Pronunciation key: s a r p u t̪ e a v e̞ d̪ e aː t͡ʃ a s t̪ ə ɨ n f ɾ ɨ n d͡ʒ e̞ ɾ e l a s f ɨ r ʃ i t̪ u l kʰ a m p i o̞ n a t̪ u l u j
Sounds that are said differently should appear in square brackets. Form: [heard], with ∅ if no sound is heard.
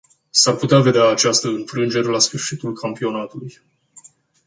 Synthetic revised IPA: s a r p u t̪ e a v e̞ d̪ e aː t͡ʃ a s t̪ ə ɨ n f ɾ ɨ n d͡ʒ e̞ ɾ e l a s f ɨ r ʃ i t̪ u l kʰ a m p i o̞ n a t̪ u l u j